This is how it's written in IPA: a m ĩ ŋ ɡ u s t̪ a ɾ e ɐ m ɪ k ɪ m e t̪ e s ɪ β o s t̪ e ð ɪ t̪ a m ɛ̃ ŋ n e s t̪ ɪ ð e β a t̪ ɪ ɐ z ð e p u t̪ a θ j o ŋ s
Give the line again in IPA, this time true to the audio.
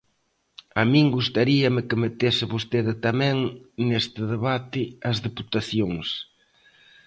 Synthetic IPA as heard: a m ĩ ŋ ɡ u s t̪ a ɾ i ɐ m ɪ k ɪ m e t̪ e s ɪ β o s t̪ e ð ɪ t̪ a m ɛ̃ ŋ n e s t̪ ɪ ð e β a t̪ ɪ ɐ z ð e p u t̪ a θ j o ŋ s